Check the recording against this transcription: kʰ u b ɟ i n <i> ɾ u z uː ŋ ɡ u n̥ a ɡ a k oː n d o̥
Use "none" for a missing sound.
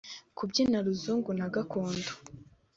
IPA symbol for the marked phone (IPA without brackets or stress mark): a